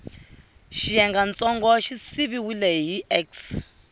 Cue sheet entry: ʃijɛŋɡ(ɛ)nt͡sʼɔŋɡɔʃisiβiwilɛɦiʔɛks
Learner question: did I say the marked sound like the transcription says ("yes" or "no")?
no